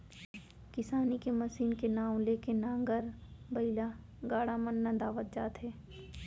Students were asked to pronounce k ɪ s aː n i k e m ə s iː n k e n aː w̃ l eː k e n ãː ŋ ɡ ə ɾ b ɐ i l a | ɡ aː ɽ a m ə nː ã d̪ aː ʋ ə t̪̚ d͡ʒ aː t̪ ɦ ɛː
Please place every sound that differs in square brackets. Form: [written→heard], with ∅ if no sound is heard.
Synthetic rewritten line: k ɪ s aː n i k e m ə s iː n k e n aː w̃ l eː k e n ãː ŋ ɡ ə ɾ b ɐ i l a | ɡ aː ɽ a m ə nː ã d̪ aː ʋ ə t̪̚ d͡ʒ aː t̪ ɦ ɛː